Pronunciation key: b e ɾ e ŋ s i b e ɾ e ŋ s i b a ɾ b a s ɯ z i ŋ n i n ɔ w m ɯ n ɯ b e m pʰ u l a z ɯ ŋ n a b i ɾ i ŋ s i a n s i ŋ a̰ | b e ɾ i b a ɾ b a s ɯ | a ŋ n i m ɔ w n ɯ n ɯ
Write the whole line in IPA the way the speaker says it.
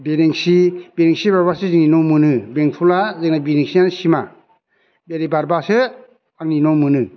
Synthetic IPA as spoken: b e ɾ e ŋ s i b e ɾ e ŋ s i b a ɾ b a s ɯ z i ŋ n i n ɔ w m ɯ n ɯ b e ŋ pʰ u l a z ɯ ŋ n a b i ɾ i ŋ s i a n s i m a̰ | b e ɾ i b a ɾ b a s ɯ | a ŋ n i n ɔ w m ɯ n ɯ